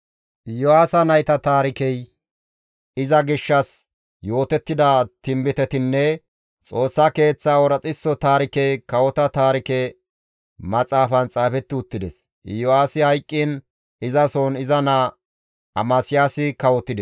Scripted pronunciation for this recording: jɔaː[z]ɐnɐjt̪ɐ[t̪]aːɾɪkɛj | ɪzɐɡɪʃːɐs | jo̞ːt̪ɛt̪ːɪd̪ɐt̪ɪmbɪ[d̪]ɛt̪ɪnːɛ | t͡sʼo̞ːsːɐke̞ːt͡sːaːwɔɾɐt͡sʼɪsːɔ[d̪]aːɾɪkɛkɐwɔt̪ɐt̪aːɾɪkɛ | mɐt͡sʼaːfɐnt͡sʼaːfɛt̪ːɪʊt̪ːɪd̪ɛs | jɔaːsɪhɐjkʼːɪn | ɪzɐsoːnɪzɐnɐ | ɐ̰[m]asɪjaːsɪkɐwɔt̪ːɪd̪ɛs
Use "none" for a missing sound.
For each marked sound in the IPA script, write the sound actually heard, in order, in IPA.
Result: s, t̪, t̪, t̪, m

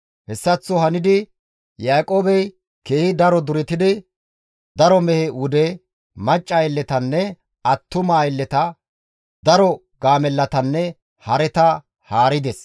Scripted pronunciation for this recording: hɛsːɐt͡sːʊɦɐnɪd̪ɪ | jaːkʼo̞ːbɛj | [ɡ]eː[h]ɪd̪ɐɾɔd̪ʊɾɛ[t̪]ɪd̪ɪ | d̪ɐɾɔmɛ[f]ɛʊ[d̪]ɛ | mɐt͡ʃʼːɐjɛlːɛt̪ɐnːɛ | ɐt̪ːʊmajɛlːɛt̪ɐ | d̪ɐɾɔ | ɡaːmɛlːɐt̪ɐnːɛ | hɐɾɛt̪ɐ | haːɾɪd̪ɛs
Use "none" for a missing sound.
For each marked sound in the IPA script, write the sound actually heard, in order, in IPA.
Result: k, h, t̪, h, d̪

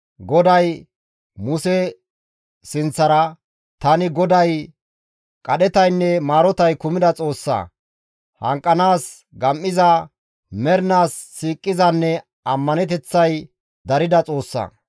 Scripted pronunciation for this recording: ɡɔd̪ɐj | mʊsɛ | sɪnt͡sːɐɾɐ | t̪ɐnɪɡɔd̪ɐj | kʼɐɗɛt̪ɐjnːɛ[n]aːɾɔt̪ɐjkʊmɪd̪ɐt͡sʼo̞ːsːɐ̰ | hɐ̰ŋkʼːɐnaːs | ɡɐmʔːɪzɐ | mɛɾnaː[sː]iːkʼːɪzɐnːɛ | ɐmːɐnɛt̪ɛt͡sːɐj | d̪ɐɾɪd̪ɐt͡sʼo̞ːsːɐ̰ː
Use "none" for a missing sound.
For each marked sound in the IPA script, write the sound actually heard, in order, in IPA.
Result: m, sː

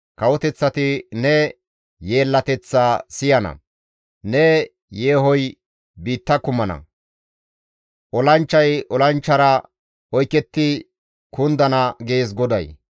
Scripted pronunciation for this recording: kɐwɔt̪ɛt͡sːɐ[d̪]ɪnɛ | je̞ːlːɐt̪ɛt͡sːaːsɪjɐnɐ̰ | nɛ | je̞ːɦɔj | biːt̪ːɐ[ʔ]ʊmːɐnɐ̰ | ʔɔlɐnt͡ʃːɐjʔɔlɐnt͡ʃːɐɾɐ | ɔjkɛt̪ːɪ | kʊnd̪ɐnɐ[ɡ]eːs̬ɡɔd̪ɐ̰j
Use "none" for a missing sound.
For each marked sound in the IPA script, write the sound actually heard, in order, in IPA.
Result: t̪, k, ɡ

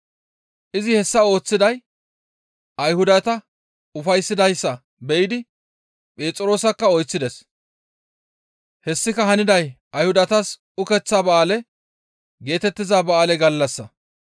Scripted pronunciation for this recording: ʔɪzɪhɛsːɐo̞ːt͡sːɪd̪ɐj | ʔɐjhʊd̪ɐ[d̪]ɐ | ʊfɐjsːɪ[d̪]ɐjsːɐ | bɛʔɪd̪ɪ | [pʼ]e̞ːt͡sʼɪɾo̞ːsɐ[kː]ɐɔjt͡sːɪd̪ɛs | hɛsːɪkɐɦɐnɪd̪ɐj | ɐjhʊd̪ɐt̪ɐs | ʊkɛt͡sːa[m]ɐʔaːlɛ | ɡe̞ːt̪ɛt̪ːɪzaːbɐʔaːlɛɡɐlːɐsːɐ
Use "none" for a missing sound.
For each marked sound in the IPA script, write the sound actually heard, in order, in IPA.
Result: t̪, d̪, pʼ, kː, b

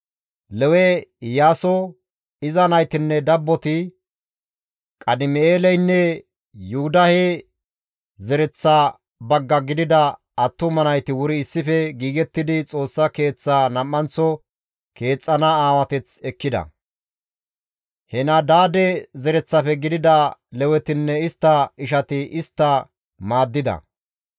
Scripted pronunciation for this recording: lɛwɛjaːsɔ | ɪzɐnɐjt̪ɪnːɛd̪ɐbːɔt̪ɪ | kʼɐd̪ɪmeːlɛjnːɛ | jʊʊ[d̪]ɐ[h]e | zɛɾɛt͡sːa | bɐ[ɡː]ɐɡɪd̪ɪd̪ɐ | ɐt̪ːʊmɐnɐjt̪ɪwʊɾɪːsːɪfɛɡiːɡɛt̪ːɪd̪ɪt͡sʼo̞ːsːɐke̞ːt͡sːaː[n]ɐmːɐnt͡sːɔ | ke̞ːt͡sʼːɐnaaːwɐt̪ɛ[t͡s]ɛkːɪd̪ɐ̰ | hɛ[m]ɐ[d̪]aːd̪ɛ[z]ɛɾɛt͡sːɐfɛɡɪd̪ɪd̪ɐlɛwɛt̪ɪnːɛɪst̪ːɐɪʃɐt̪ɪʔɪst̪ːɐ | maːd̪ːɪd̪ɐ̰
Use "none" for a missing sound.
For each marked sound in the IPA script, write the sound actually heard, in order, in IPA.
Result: d̪, h, ɡː, n, t͡s, n, d̪, z

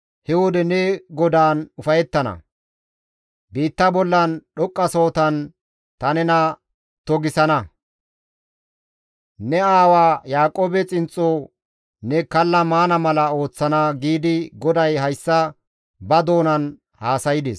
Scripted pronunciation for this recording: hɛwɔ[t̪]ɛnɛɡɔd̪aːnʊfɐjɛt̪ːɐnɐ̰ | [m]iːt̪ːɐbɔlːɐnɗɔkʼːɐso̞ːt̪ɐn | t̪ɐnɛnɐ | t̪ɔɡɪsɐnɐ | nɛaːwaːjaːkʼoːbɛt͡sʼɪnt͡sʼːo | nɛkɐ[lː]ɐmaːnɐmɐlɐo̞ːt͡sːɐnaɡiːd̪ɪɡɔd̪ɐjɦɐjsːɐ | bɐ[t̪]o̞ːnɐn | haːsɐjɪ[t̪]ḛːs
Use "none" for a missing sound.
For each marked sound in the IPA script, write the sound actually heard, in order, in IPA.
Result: d̪, b, lː, d̪, d̪

